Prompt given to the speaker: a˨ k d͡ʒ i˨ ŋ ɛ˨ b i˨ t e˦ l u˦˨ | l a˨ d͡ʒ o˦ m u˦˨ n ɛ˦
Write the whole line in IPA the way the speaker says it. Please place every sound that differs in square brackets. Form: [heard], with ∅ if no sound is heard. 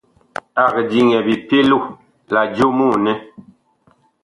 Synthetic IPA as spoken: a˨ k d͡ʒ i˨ ŋ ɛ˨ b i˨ [p] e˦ l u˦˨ | l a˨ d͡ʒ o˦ m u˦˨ n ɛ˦